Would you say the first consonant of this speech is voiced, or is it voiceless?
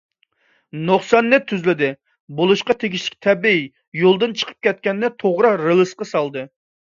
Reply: voiced